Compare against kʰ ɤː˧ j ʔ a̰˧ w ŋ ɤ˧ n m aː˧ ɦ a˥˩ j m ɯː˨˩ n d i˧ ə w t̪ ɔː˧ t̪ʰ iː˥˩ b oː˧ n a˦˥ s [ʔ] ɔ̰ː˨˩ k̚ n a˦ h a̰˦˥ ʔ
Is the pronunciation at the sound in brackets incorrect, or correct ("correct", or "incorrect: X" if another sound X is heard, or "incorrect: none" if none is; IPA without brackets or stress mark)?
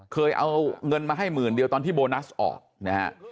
correct